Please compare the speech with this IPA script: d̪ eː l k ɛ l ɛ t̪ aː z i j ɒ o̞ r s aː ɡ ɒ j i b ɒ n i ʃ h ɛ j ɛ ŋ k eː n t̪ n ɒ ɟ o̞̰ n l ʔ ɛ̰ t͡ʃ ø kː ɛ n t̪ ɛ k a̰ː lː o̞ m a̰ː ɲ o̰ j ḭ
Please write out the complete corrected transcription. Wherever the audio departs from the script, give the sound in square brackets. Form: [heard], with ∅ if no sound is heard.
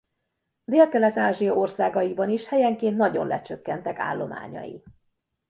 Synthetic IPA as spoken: d̪ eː l k ɛ l ɛ t̪ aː [ʒ] i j ɒ o̞ r s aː ɡ ɒ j i b ɒ n i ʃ h ɛ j ɛ ŋ k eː n t̪ n ɒ ɟ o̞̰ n l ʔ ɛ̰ t͡ʃ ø kː ɛ n t̪ ɛ k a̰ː lː o̞ m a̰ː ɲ [ɒ̰] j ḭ